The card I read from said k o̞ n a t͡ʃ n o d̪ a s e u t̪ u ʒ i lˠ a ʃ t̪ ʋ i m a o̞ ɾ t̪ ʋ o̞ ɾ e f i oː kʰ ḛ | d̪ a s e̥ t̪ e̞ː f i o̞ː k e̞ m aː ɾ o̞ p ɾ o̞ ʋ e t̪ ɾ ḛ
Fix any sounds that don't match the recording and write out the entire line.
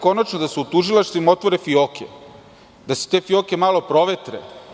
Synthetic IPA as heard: k o̞ n a t͡ʃ n o d̪ a s e u t̪ u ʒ i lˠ a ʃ t̪ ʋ i m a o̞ t̪ ʋ o̞ ɾ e f i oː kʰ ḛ | d̪ a s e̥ t̪ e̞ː f i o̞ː k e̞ m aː l o̞ p ɾ o̞ ʋ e t̪ ɾ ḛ